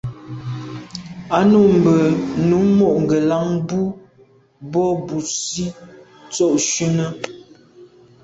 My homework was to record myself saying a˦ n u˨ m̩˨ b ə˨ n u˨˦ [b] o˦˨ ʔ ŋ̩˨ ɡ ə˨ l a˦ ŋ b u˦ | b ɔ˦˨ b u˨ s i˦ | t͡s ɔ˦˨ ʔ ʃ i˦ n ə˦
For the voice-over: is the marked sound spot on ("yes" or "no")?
no